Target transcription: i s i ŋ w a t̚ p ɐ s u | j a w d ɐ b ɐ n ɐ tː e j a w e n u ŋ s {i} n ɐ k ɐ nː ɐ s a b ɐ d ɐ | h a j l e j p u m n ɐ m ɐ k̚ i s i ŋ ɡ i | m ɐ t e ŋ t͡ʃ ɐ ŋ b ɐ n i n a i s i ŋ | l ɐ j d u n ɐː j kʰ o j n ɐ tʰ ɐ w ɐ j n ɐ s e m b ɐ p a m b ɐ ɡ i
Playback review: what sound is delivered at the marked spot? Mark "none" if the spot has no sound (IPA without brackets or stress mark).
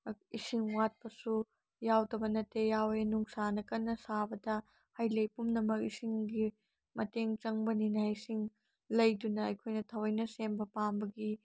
a